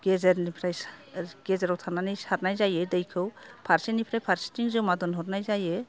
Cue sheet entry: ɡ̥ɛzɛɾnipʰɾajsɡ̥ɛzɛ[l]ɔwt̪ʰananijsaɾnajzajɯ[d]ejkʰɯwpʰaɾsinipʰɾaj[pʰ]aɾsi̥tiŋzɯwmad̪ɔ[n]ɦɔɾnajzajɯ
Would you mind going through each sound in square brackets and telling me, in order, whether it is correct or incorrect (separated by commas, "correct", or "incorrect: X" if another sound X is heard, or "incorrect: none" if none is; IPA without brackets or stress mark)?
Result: incorrect: ɾ, correct, correct, correct